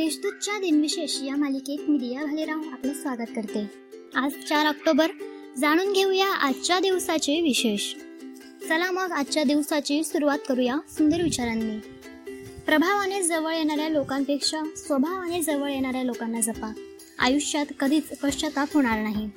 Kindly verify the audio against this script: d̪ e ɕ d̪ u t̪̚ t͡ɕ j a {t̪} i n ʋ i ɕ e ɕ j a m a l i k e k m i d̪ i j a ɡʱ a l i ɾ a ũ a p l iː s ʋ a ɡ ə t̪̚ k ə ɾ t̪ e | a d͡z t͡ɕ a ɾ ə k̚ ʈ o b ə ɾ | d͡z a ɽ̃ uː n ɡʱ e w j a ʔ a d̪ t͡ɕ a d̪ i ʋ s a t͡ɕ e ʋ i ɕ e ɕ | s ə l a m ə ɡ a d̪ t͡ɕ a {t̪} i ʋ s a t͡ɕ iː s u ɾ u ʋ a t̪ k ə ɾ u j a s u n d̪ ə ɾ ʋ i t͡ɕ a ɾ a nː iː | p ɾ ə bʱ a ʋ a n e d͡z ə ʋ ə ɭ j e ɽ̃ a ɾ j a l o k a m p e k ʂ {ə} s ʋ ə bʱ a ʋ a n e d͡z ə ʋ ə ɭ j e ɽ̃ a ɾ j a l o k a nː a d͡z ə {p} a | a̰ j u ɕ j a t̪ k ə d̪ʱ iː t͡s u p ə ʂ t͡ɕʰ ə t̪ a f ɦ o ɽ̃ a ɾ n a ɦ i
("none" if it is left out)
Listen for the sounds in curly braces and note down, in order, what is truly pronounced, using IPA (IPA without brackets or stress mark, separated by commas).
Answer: d̪, d̪, a, p